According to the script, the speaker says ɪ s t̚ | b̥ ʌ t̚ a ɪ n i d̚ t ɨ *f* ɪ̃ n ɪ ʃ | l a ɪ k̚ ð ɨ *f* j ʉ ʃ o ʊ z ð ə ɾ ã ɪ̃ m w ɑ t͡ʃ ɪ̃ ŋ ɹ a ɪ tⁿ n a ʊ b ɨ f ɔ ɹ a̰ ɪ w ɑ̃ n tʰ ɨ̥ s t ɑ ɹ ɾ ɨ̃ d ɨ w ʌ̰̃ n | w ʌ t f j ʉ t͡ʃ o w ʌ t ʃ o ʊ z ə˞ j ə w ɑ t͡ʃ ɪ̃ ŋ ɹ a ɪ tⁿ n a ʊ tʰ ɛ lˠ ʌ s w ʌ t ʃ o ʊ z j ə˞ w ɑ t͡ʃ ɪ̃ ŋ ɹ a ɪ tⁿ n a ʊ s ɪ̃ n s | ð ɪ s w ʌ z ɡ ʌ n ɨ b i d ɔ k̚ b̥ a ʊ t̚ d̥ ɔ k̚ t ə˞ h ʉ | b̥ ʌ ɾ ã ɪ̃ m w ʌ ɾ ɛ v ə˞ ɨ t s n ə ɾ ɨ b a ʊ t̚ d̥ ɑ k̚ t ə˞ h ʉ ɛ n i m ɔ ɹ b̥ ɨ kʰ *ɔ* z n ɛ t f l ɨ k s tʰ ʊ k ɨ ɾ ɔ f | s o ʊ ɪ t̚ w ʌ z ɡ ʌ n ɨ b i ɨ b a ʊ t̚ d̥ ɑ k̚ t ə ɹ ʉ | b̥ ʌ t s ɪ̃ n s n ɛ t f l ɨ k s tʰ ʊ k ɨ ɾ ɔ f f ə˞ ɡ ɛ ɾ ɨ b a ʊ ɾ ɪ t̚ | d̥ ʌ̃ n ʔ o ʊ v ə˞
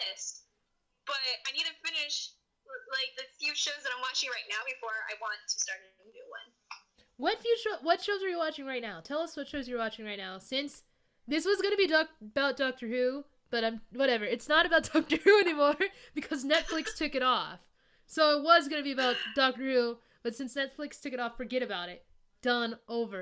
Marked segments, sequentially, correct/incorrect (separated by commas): correct, correct, incorrect